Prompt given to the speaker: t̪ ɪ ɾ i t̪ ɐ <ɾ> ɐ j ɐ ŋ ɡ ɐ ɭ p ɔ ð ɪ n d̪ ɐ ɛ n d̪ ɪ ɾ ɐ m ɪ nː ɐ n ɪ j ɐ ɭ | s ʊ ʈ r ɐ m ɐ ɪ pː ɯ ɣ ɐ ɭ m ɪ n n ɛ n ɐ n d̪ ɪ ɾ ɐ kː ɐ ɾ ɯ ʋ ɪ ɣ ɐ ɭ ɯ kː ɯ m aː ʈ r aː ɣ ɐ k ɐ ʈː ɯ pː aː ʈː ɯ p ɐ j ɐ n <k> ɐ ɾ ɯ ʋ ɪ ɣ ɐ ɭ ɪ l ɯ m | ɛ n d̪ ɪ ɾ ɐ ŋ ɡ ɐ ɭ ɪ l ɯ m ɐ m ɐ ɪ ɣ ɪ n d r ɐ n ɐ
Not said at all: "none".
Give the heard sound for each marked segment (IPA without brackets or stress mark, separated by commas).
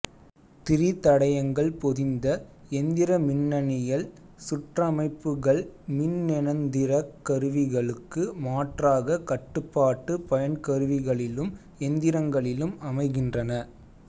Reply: ɽ, k